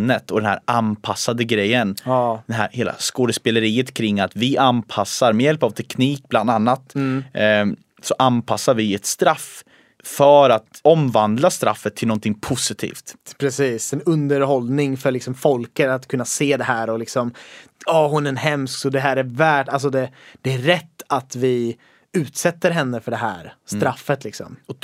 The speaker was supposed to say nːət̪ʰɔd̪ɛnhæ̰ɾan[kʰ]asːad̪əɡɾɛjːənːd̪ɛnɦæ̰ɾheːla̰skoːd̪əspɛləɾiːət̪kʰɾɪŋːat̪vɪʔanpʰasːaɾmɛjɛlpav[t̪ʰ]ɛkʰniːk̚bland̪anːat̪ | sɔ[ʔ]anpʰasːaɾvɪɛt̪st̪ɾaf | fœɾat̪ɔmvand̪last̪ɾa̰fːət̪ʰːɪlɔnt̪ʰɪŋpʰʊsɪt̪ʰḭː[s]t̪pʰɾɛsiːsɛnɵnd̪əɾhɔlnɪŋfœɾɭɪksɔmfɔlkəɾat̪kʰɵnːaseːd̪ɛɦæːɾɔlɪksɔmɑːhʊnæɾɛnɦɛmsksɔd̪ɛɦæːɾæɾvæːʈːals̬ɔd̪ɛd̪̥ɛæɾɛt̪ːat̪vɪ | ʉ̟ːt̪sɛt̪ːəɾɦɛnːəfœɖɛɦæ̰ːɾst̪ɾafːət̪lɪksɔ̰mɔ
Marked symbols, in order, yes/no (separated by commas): no, yes, yes, no